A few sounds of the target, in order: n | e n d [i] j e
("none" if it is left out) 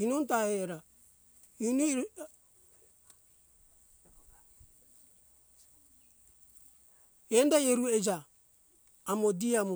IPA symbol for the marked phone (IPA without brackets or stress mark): a